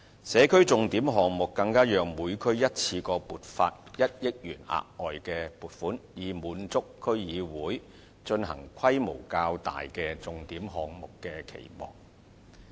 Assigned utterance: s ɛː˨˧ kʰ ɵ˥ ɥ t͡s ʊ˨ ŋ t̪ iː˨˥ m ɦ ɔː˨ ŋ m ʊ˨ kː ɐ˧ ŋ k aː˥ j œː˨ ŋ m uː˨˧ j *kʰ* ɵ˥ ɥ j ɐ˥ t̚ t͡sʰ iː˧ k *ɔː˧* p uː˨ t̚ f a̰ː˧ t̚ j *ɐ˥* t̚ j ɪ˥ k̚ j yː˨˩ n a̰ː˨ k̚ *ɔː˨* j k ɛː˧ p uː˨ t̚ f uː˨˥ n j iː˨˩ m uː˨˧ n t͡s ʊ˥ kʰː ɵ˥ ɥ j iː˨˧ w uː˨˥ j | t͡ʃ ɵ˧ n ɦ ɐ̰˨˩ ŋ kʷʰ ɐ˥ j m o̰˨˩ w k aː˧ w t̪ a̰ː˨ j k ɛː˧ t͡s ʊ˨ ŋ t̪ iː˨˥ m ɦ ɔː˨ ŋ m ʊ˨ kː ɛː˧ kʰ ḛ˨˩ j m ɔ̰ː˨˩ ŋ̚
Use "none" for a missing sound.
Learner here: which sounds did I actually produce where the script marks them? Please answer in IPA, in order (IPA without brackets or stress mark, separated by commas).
kʰ, ɔː˧, ɐ˥, ɔː˨